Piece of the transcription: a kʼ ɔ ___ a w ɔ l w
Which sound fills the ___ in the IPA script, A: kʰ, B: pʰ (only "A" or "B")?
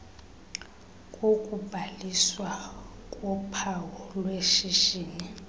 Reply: B